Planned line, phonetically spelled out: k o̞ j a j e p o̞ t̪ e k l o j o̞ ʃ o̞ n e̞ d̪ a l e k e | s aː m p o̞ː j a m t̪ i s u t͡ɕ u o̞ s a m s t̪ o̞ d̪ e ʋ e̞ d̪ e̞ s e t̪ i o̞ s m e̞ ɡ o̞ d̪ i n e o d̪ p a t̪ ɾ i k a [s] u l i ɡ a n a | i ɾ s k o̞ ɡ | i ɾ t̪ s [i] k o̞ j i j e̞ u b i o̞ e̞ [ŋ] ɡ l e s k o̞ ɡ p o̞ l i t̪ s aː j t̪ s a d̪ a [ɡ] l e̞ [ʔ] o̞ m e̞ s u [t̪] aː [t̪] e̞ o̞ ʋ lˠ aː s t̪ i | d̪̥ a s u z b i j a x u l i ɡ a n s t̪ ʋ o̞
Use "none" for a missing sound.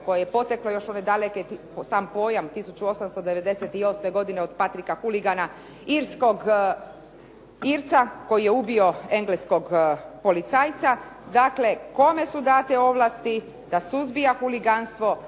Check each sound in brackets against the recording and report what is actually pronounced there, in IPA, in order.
x, a, ŋ, k, k, d̪, t̪

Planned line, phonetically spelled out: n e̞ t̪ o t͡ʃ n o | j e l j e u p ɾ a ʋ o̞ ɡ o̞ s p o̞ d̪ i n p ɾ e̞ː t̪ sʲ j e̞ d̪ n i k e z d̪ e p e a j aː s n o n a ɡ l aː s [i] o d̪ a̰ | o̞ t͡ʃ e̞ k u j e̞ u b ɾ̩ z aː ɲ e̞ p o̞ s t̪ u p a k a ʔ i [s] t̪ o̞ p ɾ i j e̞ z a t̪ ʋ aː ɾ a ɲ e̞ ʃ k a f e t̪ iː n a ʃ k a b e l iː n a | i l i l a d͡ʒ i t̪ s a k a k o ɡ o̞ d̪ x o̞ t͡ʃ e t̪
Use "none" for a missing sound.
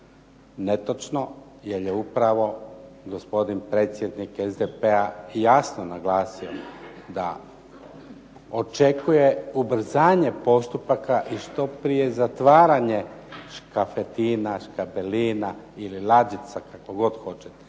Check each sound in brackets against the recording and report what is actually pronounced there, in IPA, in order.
i, ʃ

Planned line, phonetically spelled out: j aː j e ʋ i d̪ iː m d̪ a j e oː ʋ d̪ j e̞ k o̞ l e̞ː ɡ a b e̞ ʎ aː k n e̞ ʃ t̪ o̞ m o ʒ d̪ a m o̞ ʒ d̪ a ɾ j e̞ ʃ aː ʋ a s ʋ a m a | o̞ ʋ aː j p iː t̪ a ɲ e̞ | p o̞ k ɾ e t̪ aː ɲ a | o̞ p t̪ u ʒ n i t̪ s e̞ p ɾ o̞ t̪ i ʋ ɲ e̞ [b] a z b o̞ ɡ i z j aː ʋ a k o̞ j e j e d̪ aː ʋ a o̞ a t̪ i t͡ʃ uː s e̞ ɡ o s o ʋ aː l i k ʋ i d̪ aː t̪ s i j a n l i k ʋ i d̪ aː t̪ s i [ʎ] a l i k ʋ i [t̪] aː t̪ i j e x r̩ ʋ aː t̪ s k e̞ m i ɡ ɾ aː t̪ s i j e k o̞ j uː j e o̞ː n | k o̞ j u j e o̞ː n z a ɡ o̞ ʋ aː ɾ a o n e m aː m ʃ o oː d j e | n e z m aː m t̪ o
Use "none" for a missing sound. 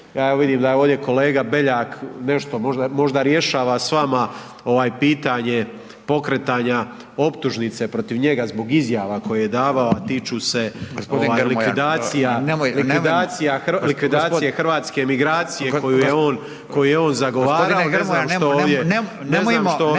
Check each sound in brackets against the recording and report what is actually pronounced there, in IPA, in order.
ɡ, j, d̪

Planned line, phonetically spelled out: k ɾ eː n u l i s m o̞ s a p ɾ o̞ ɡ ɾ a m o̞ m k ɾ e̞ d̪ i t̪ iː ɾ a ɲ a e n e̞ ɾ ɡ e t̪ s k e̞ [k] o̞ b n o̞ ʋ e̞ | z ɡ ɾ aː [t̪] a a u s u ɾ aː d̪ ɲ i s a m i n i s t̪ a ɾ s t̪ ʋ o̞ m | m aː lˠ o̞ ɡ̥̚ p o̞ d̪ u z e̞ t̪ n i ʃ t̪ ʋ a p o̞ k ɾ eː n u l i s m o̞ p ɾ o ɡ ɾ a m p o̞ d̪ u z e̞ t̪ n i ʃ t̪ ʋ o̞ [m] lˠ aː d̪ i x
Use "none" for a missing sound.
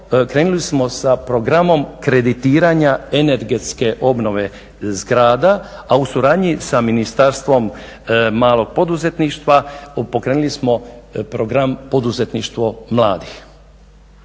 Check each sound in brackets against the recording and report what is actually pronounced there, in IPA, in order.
ʔ, d̪, m

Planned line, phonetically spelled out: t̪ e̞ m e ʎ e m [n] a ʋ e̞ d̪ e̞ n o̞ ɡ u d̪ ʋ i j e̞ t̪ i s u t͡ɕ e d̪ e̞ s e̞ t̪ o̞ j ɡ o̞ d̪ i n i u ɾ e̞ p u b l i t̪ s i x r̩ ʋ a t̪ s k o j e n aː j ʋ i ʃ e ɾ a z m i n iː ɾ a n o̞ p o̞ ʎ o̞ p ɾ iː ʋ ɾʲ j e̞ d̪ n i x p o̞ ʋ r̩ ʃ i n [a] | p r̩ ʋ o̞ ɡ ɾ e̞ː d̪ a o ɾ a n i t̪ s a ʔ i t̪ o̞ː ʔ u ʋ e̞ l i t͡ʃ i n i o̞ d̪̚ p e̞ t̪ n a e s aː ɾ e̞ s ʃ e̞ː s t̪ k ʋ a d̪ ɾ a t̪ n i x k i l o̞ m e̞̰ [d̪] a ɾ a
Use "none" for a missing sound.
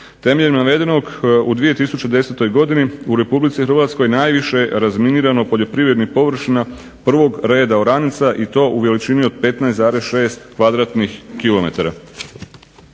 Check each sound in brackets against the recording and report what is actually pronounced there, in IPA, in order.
n, a, t̪

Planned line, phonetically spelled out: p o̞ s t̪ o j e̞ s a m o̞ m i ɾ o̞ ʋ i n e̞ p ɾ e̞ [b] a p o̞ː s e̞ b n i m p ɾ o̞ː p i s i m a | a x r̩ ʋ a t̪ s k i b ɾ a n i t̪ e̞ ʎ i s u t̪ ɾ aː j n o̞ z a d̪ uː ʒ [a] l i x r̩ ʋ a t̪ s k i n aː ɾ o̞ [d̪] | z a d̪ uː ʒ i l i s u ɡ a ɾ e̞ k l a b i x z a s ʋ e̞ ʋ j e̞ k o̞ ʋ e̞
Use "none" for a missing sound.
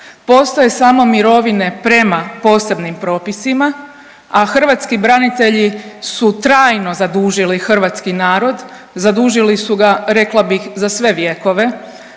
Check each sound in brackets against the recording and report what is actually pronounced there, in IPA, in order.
m, i, d̪

